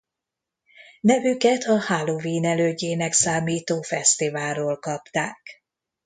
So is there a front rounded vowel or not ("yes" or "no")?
yes